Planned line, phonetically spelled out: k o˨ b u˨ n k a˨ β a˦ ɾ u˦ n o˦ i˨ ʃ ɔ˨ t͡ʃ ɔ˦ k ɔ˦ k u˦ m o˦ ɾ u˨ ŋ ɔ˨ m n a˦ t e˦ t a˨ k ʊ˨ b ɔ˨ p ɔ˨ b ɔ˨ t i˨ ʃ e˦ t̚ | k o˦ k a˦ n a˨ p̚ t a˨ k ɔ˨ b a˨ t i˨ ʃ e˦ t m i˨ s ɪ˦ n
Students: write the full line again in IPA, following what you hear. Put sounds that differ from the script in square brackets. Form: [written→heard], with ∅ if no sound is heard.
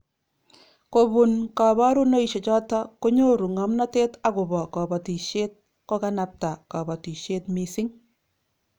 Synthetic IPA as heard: k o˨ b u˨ n k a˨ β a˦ ɾ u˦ n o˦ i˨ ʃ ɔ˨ t͡ʃ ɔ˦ [k→t] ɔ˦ k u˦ [m→ɲ] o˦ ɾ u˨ ŋ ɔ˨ m n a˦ t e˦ t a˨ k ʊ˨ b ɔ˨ [p→k] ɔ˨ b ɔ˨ t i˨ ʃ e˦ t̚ | k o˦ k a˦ n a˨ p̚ t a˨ k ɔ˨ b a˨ t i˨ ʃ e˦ t m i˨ s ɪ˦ [n→ŋ]